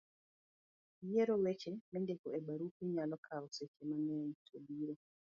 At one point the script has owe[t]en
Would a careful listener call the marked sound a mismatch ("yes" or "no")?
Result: yes